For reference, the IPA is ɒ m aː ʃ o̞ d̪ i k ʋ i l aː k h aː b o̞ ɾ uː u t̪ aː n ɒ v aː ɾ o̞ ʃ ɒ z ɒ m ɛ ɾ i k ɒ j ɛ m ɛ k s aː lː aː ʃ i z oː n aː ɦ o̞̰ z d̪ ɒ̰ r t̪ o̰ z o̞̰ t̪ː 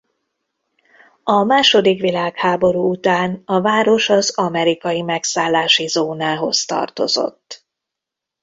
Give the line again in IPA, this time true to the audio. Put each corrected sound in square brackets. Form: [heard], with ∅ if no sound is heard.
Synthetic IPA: ɒ m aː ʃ o̞ d̪ i k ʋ i l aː k h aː b o̞ ɾ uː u t̪ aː n ɒ v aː ɾ o̞ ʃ ɒ z ɒ m ɛ ɾ i k ɒ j [i] m ɛ k s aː lː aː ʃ i z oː n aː ɦ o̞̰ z [t̪] ɒ̰ r t̪ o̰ z o̞̰ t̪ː

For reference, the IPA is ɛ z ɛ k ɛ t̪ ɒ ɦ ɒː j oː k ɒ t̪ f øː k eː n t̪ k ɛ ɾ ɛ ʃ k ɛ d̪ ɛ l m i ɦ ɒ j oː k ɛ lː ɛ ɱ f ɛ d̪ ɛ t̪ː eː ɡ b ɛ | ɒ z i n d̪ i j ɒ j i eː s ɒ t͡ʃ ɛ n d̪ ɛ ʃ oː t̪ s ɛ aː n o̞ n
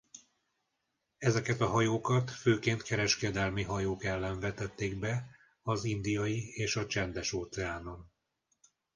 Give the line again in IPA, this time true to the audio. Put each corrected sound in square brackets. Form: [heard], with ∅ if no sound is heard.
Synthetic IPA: ɛ z ɛ k ɛ t̪ ɒ ɦ [ɒ] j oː k ɒ t̪ f øː k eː n t̪ k ɛ ɾ ɛ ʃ k ɛ d̪ ɛ l m i ɦ ɒ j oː k ɛ lː ɛ ɱ [v] ɛ [t̪] ɛ t̪ː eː ɡ b ɛ | ɒ z i n d̪ i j ɒ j i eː [ʃ] ɒ t͡ʃ ɛ n d̪ ɛ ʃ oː t̪ s ɛ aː n o̞ n

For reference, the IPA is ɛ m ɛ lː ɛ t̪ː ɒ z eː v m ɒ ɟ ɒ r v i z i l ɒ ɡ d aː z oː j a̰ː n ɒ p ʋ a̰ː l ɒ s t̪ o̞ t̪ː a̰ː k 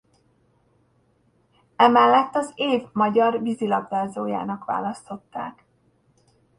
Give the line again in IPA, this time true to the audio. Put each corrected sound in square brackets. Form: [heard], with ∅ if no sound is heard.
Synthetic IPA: ɛ m ɛ lː ɛ t̪ː ɒ z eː v m ɒ ɟ ɒ r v i z i l ɒ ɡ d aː z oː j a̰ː n ɒ [k] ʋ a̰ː l ɒ s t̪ o̞ t̪ː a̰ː k

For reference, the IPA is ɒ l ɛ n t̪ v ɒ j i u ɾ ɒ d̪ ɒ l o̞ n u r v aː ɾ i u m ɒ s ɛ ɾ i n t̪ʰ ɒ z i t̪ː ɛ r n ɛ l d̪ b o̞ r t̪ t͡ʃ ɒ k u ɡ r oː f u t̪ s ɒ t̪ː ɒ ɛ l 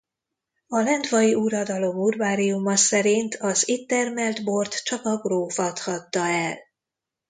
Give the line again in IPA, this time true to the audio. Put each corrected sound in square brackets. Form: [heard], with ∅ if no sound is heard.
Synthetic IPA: ɒ l ɛ n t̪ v ɒ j i u ɾ ɒ d̪ ɒ l o̞ [m] u r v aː ɾ i u m ɒ s ɛ ɾ i n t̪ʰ ɒ z i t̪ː ɛ r [m] ɛ l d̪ b o̞ r t̪ t͡ʃ ɒ k [ɒ] ɡ r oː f [ɒ] t̪ [h] ɒ t̪ː ɒ ɛ l

